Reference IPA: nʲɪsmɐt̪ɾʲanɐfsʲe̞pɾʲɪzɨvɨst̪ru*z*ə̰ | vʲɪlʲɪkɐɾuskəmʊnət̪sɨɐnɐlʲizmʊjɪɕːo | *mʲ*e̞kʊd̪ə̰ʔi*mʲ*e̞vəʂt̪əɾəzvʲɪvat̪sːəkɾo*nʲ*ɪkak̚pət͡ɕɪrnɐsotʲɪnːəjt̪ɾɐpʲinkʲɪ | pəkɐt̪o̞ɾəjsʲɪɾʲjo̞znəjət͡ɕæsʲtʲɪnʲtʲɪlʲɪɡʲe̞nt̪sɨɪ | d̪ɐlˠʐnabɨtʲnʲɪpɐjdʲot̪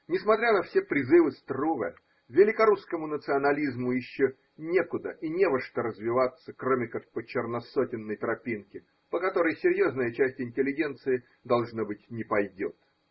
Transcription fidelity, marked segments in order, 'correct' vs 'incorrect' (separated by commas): incorrect, incorrect, incorrect, incorrect